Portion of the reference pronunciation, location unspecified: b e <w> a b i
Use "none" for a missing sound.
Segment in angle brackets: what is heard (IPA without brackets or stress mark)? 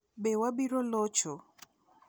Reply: w